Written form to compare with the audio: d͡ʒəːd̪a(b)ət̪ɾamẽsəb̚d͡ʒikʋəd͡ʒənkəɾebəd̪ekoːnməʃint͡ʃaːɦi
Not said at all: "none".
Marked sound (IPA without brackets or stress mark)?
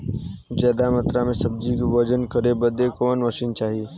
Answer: m